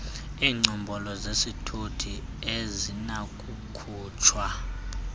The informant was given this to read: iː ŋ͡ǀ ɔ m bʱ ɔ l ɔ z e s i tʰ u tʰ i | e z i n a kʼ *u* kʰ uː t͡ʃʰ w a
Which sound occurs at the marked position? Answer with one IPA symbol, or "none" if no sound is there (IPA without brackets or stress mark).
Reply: u